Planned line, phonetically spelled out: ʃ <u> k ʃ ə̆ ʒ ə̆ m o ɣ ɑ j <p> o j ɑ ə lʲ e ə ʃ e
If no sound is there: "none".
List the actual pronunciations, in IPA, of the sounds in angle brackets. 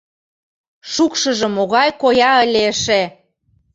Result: u, k

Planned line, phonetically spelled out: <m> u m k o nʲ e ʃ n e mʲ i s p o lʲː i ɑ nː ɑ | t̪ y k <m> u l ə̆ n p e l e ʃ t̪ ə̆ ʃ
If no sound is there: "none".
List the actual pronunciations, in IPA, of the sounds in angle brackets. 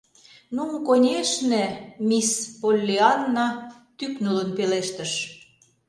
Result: n, n

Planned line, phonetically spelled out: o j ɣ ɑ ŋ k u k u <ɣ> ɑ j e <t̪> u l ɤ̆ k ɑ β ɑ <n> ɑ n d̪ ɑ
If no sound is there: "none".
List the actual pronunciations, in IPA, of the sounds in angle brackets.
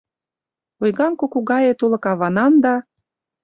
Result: ɣ, t̪, n

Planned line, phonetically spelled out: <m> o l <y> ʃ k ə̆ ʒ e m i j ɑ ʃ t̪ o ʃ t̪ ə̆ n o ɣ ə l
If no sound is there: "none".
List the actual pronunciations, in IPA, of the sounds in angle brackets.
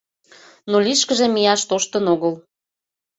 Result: n, i

